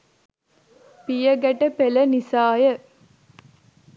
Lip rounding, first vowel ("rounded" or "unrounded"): unrounded